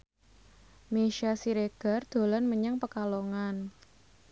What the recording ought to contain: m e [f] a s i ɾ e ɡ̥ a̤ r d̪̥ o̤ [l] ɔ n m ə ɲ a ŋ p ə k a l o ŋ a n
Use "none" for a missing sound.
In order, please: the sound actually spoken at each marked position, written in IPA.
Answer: ʃ, l

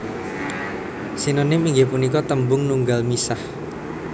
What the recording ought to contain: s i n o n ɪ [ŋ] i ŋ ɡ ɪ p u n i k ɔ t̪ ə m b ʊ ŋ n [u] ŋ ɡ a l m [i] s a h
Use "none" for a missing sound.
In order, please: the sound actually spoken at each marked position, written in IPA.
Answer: m, u, i

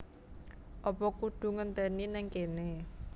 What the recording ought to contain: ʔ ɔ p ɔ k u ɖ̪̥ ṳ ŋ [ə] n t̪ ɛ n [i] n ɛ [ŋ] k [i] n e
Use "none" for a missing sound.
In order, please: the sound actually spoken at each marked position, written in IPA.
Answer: ə, i, ŋ, e

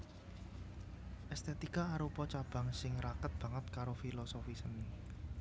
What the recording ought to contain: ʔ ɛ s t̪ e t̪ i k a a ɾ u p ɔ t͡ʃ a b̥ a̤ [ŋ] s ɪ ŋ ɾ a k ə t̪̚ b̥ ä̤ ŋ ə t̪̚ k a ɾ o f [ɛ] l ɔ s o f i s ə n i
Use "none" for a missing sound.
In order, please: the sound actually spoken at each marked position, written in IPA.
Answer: ŋ, i

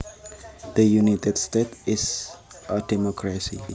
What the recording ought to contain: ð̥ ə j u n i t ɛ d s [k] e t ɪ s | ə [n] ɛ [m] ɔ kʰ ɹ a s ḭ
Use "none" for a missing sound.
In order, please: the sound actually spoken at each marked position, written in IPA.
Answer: t, d, m

